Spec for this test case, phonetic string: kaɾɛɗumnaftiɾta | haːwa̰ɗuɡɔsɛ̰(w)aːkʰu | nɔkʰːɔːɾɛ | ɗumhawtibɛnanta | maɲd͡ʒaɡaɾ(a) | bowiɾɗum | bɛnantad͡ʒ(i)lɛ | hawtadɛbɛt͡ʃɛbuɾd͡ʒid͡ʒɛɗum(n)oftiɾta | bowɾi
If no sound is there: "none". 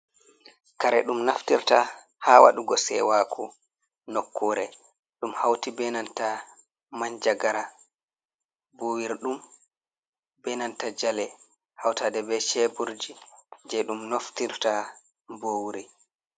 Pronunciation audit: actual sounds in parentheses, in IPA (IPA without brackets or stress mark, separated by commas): w, a, a, n